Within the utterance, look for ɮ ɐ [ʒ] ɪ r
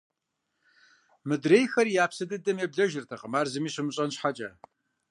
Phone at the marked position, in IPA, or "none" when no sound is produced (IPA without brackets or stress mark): ʒ